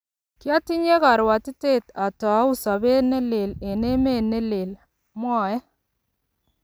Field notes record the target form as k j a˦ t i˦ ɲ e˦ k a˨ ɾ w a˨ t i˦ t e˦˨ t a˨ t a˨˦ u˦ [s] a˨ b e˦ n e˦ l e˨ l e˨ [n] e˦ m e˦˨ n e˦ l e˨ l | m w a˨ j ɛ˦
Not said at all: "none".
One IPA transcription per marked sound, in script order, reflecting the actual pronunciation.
s, n

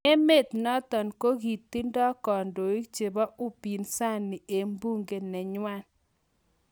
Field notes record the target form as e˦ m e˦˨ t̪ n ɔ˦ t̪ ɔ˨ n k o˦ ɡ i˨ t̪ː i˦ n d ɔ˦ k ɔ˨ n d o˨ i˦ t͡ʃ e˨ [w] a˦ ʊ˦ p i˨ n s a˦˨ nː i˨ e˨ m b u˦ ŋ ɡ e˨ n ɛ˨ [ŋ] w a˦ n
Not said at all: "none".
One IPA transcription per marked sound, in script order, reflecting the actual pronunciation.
b, ɲ

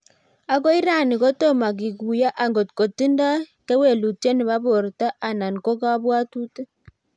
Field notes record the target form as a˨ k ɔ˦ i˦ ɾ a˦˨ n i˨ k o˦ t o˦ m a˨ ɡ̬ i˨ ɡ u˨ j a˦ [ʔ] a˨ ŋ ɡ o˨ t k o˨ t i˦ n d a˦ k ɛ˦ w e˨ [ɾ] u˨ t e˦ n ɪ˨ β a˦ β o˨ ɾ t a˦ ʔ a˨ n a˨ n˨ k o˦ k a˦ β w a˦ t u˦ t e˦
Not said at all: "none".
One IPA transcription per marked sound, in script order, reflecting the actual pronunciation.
ʔ, l

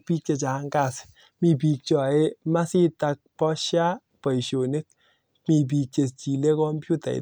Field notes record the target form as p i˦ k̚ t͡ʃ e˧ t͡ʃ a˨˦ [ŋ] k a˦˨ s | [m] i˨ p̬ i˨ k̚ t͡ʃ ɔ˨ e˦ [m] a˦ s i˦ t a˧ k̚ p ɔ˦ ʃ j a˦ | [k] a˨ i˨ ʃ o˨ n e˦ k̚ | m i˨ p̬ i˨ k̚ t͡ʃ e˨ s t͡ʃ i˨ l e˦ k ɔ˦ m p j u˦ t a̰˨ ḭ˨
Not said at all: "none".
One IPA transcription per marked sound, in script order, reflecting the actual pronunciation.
ŋ, m, m, p

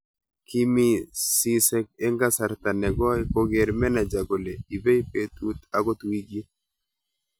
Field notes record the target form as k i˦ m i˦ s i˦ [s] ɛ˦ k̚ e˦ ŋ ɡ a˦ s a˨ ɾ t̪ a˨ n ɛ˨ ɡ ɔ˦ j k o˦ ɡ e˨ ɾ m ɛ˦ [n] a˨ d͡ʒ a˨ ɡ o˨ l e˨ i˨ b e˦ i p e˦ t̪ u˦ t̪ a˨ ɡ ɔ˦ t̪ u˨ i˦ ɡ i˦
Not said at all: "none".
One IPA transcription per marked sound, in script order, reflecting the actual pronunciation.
s, n

